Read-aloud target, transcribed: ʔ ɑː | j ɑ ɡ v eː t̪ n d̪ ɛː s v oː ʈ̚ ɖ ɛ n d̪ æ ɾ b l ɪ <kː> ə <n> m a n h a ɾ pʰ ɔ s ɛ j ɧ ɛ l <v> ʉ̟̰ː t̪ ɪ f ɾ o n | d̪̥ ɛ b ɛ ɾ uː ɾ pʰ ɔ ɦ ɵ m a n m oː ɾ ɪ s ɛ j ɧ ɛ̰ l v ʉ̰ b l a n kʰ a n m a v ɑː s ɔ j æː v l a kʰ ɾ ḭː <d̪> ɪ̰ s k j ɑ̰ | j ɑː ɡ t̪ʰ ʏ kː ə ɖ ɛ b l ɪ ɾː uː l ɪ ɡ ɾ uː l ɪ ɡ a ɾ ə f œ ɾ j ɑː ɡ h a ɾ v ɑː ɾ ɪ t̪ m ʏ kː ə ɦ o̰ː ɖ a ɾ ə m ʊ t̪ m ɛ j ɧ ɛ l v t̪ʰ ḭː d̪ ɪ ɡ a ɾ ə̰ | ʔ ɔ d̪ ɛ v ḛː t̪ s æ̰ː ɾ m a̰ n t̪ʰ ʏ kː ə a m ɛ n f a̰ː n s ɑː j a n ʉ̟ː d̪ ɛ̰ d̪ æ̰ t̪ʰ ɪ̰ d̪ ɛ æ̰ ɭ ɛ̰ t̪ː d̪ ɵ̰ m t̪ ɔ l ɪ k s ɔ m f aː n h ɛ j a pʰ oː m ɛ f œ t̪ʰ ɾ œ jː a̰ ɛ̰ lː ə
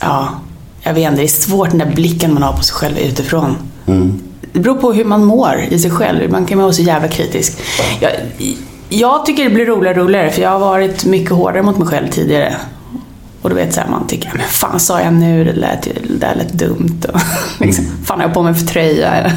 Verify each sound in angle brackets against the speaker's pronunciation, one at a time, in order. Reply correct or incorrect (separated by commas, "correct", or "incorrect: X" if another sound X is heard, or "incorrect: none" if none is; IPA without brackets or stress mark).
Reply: correct, correct, correct, incorrect: t̪